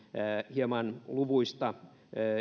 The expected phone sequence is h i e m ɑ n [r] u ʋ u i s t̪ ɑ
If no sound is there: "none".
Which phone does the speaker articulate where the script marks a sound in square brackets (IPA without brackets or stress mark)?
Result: l